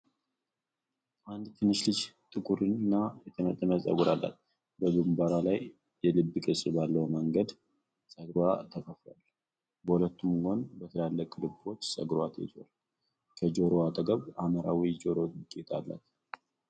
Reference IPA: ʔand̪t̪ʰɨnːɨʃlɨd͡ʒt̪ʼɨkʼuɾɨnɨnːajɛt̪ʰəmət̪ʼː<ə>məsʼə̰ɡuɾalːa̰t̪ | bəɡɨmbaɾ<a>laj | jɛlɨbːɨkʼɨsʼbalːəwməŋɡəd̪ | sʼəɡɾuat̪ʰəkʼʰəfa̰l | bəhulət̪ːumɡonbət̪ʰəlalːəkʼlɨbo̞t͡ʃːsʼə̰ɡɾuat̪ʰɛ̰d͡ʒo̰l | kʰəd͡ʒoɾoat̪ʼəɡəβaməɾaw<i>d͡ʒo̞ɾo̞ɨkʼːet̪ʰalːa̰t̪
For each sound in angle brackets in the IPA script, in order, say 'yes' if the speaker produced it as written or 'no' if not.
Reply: yes, yes, yes

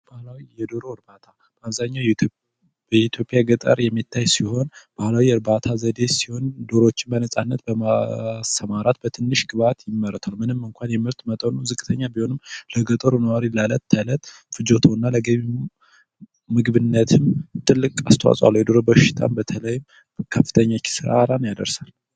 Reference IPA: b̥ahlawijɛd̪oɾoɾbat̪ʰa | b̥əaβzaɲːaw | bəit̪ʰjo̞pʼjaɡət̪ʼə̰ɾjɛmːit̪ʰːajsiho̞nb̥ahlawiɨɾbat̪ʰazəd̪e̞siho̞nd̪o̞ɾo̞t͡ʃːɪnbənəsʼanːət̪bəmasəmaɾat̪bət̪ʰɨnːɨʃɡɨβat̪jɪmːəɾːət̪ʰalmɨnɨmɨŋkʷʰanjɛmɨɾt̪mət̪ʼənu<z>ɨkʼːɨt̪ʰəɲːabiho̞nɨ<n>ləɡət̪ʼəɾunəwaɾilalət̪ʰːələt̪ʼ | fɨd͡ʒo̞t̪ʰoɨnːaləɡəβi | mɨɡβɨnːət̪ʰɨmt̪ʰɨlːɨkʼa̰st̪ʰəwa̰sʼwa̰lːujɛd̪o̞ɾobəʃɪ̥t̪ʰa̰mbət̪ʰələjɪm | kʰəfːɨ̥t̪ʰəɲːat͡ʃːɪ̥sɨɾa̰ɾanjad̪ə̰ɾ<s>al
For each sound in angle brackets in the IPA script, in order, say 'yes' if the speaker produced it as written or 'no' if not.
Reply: yes, no, yes

